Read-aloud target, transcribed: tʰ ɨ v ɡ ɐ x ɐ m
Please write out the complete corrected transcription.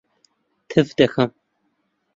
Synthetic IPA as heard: tʰ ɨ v d ɐ x ɐ m

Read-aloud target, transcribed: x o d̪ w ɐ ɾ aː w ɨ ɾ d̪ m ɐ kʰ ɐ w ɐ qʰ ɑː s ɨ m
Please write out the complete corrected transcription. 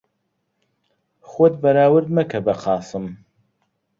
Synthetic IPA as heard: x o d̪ b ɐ ɾ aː w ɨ ɾ d̪ m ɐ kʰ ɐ b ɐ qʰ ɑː s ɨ m

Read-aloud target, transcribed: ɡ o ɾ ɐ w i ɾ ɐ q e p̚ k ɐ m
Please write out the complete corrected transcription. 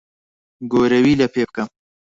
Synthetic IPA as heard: ɡ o ɾ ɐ w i l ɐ p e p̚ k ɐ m

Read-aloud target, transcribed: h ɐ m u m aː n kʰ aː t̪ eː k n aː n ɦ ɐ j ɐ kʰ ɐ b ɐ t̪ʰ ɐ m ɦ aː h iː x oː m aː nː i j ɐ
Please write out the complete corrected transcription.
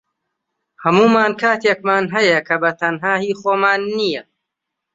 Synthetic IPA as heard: h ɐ m uː m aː n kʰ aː t̪ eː k m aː n ɦ ɐ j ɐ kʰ ɐ b ɐ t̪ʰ ɐ n ɦ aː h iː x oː m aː nː i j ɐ

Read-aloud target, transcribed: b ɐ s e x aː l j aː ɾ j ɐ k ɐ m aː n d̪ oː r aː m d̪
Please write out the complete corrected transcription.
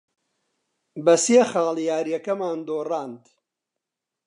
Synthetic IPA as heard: b ɐ s e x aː l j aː ɾ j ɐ k ɐ m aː n d̪ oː r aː n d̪

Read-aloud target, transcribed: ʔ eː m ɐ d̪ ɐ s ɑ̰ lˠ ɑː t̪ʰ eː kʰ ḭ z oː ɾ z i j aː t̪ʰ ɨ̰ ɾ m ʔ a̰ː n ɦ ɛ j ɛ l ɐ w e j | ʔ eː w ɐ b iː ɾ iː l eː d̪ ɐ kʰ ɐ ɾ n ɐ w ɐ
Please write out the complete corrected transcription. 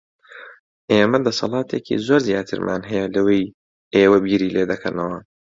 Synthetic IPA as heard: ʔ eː m ɐ d̪ ɐ s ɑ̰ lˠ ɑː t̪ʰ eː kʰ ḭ z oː ɾ z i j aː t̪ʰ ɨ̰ ɾ m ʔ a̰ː n ɦ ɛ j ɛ l ɐ w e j | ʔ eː w ɐ b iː ɾ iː l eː d̪ ɐ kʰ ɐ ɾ n ɐ w ɐ

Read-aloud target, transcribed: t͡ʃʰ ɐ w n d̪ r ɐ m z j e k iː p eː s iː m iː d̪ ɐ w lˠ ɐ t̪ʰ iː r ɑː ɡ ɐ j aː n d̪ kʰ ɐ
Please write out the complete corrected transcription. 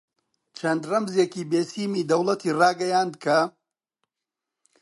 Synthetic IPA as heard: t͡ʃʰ ɐ n d̪ r ɐ m z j e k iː b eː s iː m iː d̪ ɐ w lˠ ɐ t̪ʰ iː r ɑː ɡ ɐ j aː n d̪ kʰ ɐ

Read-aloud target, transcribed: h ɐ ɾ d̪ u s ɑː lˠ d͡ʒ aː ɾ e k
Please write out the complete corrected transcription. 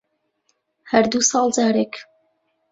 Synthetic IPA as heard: h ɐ ɾ d̪ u s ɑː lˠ d͡ʒ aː ɾ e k

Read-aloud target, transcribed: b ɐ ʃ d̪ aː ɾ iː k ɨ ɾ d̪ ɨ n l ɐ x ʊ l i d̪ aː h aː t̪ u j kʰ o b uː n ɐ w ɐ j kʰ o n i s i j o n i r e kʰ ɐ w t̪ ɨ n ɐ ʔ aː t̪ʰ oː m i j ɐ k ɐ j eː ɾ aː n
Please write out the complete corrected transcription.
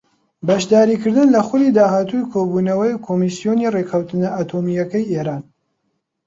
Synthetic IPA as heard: b ɐ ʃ d̪ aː ɾ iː k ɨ ɾ d̪ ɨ n l ɐ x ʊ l i d̪ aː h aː t̪ u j kʰ o b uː n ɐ w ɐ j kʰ o m i s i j o n i r e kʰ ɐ w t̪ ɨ n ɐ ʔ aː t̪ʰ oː m i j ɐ k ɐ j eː ɾ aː n

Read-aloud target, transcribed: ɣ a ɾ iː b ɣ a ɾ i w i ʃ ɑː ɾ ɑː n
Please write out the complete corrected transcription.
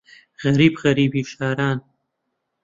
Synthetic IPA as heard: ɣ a ɾ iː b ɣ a ɾ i b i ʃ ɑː ɾ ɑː n

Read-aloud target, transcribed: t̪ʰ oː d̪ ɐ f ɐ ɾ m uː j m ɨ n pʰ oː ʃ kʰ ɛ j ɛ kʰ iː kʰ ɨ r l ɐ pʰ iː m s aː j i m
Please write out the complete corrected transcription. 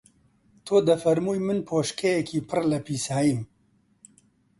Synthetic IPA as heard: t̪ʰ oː d̪ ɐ f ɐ ɾ m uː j m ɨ n pʰ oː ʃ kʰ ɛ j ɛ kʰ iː pʰ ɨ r l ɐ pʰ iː s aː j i m

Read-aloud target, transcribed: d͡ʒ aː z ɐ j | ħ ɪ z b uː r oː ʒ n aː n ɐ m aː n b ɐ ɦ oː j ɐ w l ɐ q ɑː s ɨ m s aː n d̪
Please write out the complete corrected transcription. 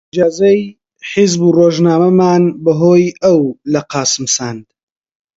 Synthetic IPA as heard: d͡ʒ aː z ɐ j | ħ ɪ z b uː r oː ʒ n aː m ɐ m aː n b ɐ ɦ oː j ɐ w l ɐ q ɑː s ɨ m s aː n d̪

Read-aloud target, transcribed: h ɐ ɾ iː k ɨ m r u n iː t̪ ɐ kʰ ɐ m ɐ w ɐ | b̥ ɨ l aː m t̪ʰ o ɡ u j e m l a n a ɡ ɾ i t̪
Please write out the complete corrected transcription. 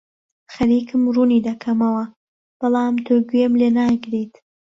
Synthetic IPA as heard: x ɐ ɾ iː k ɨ m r u n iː d̪ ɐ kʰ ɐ m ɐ w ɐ | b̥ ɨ l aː m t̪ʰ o ɡ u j e m l e n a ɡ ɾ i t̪

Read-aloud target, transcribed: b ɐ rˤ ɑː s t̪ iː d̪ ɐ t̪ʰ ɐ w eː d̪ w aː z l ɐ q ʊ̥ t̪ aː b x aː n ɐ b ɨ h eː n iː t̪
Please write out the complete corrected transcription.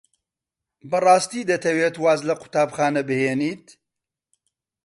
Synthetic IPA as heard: b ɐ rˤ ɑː s t̪ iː d̪ ɐ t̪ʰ ɐ w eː t̪ w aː z l ɐ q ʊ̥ t̪ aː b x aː n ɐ b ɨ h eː n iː t̪

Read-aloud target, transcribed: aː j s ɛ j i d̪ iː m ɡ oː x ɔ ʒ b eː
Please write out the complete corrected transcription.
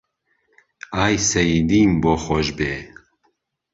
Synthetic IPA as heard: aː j s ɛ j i d̪ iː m b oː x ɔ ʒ b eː

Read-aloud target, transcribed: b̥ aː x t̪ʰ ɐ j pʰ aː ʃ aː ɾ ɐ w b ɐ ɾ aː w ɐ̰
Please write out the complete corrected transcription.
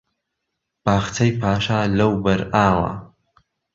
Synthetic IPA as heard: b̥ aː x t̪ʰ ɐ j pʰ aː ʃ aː l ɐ w b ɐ ɾ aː w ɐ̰

